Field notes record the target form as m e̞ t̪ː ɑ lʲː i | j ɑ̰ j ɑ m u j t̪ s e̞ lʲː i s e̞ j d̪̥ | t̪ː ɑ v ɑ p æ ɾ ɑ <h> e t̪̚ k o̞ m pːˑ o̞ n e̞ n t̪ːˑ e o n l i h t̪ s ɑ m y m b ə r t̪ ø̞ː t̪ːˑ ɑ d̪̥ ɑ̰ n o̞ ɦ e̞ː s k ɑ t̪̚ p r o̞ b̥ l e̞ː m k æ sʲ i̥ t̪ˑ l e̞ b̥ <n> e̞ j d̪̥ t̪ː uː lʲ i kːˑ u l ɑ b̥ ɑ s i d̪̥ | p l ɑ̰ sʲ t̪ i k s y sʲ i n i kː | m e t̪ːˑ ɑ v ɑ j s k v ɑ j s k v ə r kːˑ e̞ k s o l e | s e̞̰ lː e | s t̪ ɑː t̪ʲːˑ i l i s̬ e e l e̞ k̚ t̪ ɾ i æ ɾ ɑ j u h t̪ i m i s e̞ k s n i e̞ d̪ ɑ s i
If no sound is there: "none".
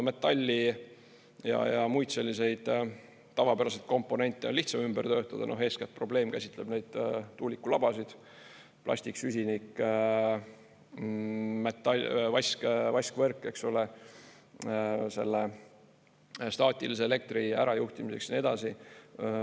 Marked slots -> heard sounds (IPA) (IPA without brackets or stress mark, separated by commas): s, n